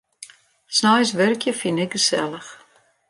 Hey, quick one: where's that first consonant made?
tongue tip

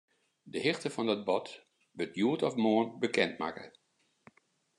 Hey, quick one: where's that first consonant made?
tongue tip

